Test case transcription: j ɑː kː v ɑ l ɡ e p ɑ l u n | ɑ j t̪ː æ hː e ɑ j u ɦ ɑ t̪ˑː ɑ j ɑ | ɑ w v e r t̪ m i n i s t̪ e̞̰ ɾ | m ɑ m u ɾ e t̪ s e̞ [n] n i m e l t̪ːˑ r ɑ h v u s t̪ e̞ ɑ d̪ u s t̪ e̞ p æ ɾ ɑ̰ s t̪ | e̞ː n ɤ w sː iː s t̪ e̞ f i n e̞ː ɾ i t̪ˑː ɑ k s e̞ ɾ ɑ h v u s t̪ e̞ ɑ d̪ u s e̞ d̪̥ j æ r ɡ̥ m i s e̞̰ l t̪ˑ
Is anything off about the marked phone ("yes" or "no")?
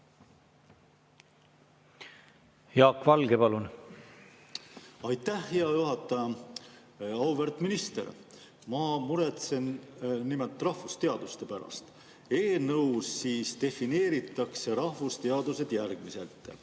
no